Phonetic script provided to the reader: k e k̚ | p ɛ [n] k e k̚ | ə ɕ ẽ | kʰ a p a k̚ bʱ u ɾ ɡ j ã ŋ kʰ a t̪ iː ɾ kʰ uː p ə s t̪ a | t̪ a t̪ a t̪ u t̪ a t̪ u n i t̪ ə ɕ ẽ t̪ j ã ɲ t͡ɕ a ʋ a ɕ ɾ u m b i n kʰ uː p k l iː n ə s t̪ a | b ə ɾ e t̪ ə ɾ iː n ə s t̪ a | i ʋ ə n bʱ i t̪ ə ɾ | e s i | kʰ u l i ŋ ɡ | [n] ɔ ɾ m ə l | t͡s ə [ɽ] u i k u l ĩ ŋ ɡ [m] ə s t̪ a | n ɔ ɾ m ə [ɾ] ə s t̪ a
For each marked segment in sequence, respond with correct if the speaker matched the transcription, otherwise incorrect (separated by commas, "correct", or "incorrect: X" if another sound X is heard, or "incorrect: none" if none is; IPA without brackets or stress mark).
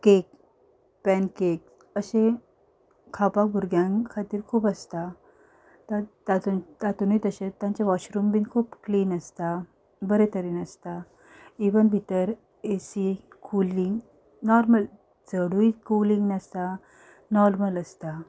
correct, correct, correct, incorrect: n, incorrect: l